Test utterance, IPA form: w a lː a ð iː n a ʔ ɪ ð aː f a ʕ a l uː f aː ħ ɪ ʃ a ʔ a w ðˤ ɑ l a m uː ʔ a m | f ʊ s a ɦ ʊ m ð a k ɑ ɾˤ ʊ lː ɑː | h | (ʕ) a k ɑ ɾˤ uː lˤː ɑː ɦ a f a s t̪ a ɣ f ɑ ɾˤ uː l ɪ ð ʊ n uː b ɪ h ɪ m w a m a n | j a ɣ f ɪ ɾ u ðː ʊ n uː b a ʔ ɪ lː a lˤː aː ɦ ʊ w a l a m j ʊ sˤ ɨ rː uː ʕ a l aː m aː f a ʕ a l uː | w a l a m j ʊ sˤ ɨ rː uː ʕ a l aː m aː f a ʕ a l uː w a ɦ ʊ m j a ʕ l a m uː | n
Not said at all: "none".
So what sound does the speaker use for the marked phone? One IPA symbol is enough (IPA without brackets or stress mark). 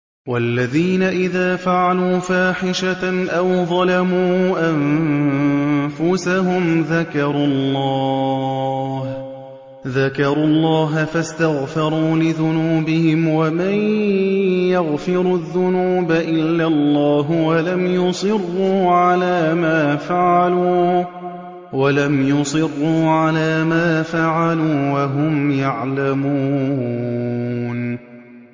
ð